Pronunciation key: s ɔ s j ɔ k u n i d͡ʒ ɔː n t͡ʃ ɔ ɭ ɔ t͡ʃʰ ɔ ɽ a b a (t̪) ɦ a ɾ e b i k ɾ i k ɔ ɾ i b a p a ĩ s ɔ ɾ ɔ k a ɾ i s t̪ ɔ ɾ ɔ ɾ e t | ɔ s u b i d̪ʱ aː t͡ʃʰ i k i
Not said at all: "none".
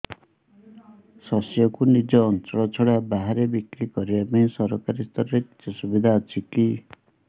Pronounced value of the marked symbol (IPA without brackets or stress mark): none